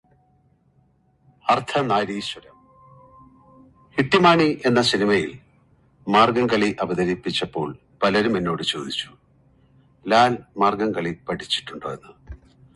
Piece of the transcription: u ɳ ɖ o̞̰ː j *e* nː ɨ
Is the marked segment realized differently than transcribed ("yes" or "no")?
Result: no